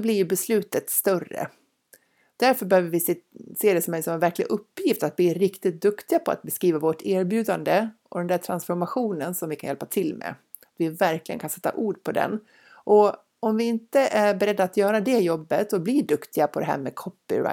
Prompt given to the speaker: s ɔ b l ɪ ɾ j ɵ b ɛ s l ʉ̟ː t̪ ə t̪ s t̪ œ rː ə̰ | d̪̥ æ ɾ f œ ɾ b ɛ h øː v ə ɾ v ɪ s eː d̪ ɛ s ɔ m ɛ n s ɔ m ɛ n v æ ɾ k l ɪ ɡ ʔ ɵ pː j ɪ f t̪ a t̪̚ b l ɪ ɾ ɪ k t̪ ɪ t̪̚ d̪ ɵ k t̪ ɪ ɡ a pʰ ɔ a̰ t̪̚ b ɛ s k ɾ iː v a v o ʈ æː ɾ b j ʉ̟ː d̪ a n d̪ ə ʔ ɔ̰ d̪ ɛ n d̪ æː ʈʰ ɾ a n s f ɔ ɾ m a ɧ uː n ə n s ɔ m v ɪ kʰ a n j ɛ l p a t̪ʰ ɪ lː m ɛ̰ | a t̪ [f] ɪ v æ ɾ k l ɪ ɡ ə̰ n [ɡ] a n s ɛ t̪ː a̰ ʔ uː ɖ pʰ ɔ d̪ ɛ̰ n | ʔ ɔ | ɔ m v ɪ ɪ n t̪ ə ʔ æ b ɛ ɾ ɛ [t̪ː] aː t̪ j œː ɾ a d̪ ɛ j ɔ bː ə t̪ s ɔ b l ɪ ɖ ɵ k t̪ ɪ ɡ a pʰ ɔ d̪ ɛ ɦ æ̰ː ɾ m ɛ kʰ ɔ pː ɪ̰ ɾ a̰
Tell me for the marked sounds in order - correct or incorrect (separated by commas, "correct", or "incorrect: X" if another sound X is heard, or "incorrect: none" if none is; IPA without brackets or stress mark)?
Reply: incorrect: v, incorrect: k, incorrect: d̪ː